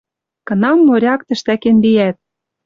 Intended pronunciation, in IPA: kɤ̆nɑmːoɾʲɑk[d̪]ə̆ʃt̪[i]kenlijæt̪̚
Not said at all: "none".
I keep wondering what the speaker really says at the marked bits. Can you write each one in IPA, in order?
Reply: t̪, æ

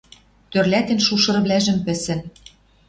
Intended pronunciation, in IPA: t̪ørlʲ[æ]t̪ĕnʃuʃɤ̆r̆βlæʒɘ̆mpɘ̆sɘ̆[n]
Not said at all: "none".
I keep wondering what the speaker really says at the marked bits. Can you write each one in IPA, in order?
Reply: æ, n

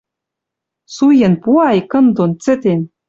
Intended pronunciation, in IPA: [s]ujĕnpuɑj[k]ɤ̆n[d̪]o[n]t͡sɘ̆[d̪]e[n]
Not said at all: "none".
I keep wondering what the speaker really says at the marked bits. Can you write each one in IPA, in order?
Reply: s, k, d̪, n, t̪, n

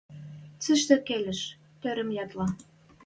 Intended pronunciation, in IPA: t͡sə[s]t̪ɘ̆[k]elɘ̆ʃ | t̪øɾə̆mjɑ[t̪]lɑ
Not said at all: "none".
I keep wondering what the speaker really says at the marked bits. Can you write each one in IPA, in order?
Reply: ʃ, k, t̪

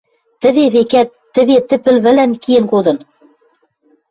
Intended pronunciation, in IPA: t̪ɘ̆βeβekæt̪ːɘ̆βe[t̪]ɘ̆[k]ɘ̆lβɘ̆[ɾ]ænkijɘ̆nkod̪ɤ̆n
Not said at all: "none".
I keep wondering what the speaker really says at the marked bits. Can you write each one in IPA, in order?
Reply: t̪, p, l

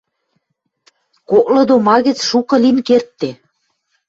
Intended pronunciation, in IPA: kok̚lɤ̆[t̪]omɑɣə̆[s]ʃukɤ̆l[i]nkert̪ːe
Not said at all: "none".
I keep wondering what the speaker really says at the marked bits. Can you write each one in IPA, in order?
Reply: d̪, t͡s, i

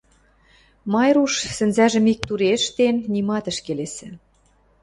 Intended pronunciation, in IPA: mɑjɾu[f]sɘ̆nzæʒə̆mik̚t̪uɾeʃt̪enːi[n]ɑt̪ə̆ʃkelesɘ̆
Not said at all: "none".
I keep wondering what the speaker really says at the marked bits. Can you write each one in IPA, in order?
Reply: ʃ, m

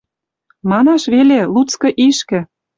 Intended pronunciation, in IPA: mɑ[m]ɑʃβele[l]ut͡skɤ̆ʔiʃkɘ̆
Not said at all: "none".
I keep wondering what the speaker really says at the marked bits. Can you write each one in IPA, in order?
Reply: n, l

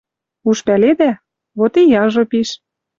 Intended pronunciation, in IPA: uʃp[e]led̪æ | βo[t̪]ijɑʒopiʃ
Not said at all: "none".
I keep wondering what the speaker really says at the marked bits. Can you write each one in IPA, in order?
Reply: æ, t̪

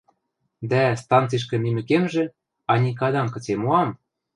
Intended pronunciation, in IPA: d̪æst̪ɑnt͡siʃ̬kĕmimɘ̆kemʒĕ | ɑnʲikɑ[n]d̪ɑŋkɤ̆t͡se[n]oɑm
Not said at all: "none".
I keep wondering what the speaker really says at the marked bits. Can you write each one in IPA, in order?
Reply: none, m

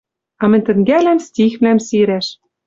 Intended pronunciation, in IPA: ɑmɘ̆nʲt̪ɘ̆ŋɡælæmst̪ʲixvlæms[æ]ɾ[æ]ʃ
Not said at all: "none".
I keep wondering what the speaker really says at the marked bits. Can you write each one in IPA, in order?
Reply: i, æ

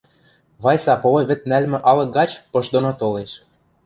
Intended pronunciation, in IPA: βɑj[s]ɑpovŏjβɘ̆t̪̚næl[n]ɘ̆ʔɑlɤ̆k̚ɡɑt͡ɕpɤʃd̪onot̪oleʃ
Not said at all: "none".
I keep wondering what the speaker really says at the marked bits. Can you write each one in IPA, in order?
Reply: s, m

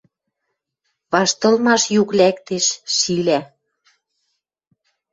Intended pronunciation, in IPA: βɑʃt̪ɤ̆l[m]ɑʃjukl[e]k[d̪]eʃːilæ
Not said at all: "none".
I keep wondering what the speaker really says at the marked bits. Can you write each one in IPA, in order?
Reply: m, æ, t̪

